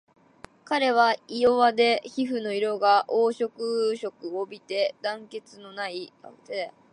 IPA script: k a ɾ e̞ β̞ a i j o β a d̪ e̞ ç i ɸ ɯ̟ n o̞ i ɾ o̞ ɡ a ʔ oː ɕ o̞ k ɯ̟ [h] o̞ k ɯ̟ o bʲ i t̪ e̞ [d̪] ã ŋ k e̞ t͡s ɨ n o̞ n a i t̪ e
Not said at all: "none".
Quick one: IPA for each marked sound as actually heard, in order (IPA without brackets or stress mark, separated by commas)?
ɕ, d̪